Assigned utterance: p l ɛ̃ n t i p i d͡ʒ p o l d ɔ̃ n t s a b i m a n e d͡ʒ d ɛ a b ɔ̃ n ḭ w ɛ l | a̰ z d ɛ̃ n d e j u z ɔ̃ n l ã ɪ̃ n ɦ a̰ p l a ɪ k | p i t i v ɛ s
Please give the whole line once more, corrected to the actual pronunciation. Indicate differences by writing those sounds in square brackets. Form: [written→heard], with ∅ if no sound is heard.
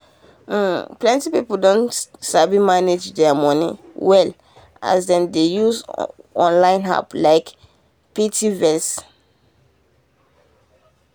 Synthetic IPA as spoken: p l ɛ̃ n t i p i [d͡ʒ→∅] p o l d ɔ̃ n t s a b i m a n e d͡ʒ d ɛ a [b→m] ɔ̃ n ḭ w ɛ l | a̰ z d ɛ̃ n d e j u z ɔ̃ n l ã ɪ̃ n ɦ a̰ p l a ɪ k | p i t i v ɛ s